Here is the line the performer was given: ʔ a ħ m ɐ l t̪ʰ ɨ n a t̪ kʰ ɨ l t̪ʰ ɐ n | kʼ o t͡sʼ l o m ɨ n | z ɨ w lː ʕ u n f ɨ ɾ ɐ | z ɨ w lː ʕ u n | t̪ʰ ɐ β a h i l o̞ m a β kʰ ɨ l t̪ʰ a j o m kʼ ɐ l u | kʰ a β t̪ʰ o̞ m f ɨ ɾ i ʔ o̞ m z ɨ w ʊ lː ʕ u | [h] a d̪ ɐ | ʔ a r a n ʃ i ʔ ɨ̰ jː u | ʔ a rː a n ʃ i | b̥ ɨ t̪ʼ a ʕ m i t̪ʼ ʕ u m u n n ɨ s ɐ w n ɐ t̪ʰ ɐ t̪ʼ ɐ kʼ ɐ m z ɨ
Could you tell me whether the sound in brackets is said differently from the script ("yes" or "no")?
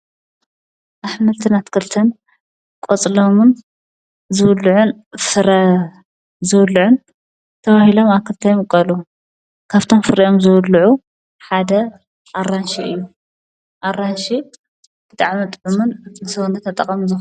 yes